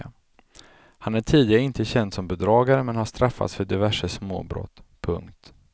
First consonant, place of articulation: glottal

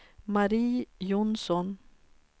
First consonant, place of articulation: labial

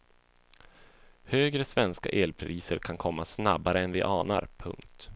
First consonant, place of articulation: glottal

